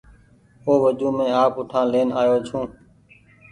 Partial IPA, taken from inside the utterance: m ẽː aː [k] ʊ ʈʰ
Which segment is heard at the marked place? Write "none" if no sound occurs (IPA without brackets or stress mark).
p